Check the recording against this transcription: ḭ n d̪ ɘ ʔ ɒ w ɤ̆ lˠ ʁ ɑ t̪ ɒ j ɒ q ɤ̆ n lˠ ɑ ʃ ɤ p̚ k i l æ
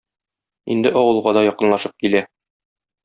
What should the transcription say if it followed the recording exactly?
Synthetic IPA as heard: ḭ n d̪ ɘ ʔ ɒ w ɤ̆ lˠ ʁ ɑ d̪ ɒ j ɒ q ɤ̆ n lˠ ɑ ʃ ɤ p̚ k i l æ